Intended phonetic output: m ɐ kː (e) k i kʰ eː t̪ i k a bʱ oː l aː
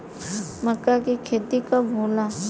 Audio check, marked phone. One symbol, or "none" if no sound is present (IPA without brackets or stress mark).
a